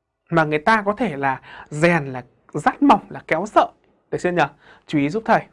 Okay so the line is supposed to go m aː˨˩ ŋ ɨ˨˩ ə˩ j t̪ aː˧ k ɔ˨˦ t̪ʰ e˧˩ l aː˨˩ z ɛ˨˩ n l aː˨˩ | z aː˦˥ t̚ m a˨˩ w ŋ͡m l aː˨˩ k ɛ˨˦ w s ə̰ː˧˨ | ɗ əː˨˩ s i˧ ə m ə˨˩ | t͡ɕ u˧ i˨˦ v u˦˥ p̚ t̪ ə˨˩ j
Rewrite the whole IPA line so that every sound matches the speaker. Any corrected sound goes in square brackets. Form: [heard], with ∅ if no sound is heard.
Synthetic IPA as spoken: m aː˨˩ ŋ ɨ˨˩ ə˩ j t̪ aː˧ k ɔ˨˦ t̪ʰ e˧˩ l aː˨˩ z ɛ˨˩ n l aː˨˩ | z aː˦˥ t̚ m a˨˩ w ŋ͡m l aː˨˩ k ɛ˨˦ w s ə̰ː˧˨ | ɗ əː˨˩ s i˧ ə [ɲ] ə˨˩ | t͡ɕ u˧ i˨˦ [z] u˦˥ p̚ [t̪ʰ] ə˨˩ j